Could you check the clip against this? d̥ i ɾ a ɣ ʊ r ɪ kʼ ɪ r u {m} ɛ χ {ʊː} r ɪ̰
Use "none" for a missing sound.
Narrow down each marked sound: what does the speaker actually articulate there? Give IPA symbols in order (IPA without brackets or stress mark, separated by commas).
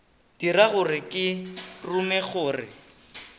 m, ʊː